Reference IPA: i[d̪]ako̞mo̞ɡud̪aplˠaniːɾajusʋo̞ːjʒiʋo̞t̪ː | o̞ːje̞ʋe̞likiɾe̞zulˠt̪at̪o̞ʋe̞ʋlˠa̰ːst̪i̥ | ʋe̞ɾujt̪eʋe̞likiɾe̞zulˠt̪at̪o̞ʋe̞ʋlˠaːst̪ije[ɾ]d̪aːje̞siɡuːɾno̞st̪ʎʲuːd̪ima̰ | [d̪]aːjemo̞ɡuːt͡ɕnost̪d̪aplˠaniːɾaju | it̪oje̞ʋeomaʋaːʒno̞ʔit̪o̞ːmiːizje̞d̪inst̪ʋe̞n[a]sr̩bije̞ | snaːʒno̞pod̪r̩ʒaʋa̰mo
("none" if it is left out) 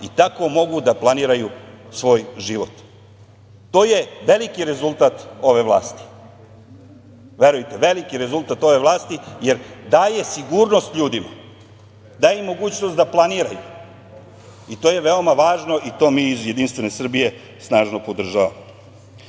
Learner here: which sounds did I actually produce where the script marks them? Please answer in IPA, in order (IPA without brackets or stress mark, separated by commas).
t̪, ɾ, d̪, e